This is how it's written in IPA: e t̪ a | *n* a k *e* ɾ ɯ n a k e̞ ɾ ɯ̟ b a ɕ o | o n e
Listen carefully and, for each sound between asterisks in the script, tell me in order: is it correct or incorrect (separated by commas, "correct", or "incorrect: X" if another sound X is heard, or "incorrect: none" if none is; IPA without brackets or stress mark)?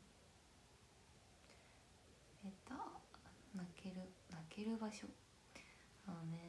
correct, correct